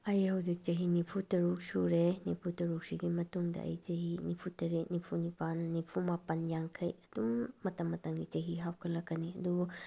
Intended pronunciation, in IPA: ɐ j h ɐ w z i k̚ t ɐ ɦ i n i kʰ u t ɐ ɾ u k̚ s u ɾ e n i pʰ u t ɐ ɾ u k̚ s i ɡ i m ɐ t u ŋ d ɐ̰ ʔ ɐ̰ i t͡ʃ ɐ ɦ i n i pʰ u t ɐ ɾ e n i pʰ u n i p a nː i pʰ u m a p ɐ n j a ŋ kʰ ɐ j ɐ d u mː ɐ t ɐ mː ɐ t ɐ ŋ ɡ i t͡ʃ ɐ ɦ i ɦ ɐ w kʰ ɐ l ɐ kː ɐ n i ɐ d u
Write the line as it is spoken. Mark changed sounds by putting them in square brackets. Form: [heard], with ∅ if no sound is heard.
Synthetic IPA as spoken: ɐ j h ɐ w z i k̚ [t͡ʃ] ɐ ɦ i n i [pʰ] u t ɐ ɾ u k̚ s u ɾ e n i pʰ u t ɐ ɾ u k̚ s i ɡ i m ɐ t u ŋ d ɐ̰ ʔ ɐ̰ [j] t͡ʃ ɐ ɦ i n i pʰ u t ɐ ɾ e n i pʰ u n i p a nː i pʰ u m a p ɐ n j a ŋ kʰ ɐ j ɐ d u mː ɐ t ɐ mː ɐ t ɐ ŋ ɡ i t͡ʃ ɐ ɦ i ɦ [a] w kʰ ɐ l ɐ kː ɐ n i ɐ d u

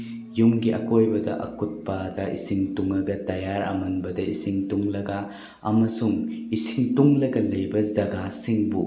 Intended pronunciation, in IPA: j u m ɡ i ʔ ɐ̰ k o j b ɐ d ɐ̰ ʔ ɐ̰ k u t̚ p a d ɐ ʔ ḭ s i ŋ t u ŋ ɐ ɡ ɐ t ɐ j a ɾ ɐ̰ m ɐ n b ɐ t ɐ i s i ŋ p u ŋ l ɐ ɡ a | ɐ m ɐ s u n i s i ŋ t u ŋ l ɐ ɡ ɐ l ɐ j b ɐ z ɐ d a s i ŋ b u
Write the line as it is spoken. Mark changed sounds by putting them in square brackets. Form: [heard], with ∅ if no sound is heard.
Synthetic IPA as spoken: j u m ɡ i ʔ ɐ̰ k o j b ɐ d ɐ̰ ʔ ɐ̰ k u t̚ p a d ɐ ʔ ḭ s i ŋ t u ŋ ɐ ɡ ɐ t ɐ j a ɾ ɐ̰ m ɐ n b ɐ [d] ɐ i s i ŋ [t] u ŋ l ɐ ɡ a | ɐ m ɐ s u [ŋ] i s i ŋ t u ŋ l ɐ ɡ ɐ l ɐ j b ɐ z ɐ [ɡ] a s i ŋ b u

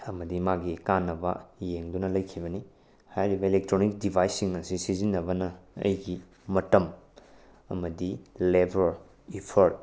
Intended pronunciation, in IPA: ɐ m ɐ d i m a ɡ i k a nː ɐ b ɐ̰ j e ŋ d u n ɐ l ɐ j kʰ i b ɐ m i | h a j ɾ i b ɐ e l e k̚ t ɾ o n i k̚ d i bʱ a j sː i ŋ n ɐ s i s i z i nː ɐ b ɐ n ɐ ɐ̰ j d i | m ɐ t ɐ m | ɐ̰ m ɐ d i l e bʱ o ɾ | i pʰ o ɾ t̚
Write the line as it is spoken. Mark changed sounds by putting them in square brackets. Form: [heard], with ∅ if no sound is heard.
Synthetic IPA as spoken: ɐ m ɐ d i m a ɡ i k a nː ɐ b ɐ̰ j e ŋ d u n ɐ l ɐ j kʰ i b ɐ [n] i | h a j ɾ i b ɐ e l e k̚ t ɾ o n i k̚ d i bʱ a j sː i ŋ n ɐ s i s i z i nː ɐ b ɐ n ɐ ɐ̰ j [ɡ] i | m ɐ t ɐ m | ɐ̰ m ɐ d i l e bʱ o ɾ | i pʰ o ɾ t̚

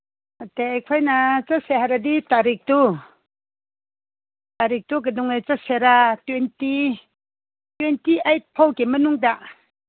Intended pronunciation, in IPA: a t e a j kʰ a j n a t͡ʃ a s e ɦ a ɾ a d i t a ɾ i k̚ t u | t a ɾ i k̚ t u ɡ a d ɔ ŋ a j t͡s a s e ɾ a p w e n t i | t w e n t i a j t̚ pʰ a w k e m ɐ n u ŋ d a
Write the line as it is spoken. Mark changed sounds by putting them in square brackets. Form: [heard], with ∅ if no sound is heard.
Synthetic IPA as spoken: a t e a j kʰ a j n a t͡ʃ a s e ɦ a ɾ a d i t a ɾ i k̚ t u | t a ɾ i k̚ t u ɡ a d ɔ ŋ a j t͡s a s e ɾ a [t] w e n t i | t w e n t i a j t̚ pʰ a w k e m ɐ n u ŋ d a

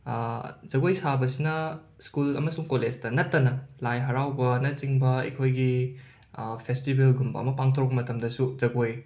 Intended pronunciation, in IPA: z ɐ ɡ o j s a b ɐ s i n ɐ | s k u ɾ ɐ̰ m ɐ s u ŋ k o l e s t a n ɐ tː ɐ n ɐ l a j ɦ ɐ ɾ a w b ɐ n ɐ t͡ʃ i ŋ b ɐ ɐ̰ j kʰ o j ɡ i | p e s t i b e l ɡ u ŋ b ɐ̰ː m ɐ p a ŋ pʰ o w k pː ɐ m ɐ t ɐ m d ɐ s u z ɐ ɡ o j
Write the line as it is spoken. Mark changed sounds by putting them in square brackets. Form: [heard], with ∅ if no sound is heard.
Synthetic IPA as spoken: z ɐ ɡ o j s a b ɐ s i n ɐ | s k u [l] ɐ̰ m ɐ s u ŋ k o l e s t [ɐ] n ɐ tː ɐ n ɐ l a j ɦ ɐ ɾ a w b ɐ n ɐ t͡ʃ i ŋ b ɐ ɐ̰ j kʰ o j ɡ i | [pʰ] e s t i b e l ɡ u [m] b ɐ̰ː m ɐ p a ŋ [tʰ] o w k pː ɐ m ɐ t ɐ m d ɐ s u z ɐ ɡ o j

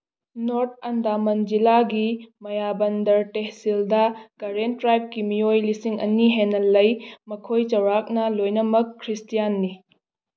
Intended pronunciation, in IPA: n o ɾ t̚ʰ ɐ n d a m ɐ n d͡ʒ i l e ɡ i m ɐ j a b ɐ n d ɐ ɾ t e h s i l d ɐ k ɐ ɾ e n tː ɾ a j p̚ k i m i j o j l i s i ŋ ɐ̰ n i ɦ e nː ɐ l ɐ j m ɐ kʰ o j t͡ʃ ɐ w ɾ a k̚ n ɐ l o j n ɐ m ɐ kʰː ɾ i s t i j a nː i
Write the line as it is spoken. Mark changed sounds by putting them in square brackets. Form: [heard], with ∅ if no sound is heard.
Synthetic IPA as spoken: n o ɾ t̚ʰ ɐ n d a m ɐ n d͡ʒ i l [a] ɡ i m ɐ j a b ɐ n d ɐ ɾ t e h s i l d ɐ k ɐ ɾ e n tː ɾ a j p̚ k i m i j o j l i s i ŋ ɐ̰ n i ɦ e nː ɐ l ɐ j m ɐ kʰ o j t͡ʃ ɐ w ɾ a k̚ n ɐ l o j n ɐ m ɐ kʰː ɾ i s t i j a nː i

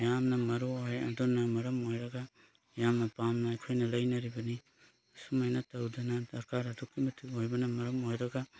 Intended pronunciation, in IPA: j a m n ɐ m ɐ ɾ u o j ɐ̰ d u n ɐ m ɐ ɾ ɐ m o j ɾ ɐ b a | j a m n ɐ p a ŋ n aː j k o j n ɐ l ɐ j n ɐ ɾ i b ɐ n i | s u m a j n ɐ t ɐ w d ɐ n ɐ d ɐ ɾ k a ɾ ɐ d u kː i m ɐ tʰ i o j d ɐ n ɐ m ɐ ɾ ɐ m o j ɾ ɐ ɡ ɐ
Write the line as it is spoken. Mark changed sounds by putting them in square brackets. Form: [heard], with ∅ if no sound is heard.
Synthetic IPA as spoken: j a m n ɐ m ɐ ɾ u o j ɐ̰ d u n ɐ m ɐ ɾ ɐ m o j ɾ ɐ [ɡ] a | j a m n ɐ p a [m] n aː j [kʰ] o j n ɐ l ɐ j n ɐ ɾ i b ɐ n i | s u m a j n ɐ t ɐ w d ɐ n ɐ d ɐ ɾ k a ɾ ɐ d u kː i m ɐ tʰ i o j [b] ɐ n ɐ m ɐ ɾ ɐ m o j ɾ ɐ ɡ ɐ

